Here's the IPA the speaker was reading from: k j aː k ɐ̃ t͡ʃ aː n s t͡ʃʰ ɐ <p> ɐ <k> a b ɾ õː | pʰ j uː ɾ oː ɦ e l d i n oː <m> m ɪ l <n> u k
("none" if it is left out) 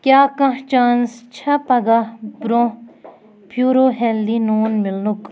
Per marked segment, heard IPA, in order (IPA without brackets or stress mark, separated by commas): p, ɡ, n, n